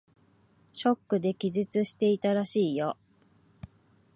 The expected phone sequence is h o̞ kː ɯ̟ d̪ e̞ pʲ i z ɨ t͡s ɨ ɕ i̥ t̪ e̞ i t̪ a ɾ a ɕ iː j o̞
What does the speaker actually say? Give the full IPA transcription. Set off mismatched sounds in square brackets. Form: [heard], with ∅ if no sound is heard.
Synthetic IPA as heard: [ɕ] o̞ kː ɯ̟ d̪ e̞ [kʲ] i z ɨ t͡s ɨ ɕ i̥ t̪ e̞ i t̪ a ɾ a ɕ iː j o̞